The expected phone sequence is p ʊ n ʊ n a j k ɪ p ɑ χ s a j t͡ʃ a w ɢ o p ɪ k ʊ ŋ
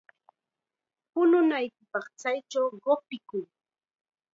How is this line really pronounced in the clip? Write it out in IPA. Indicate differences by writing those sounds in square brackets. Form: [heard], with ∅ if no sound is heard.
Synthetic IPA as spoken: p ʊ n ʊ n a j k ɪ p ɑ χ [t͡s] a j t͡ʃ a w ɢ o p ɪ k ʊ ŋ